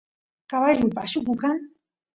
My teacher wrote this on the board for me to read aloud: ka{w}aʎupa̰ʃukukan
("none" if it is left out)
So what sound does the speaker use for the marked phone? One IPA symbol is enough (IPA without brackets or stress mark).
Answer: β